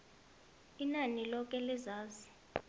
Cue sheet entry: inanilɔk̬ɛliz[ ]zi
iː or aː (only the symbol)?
aː